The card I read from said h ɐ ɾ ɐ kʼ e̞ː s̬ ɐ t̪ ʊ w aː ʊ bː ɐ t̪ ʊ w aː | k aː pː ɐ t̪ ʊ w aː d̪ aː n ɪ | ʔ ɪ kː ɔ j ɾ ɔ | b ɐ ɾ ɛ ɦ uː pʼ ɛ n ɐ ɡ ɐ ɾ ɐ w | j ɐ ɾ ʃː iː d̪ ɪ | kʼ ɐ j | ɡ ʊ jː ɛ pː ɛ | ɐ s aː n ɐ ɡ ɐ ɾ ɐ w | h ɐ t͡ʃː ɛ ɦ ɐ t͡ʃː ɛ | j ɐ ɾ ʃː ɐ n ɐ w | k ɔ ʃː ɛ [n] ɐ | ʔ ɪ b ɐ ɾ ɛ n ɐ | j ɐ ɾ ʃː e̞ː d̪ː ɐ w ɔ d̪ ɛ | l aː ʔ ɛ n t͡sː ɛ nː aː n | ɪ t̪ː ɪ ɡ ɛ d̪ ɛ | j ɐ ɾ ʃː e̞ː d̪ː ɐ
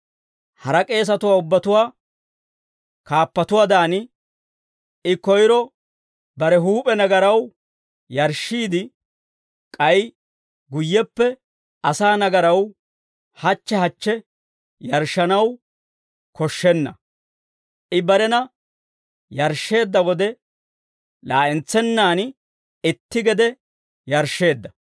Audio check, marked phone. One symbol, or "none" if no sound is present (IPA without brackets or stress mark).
nː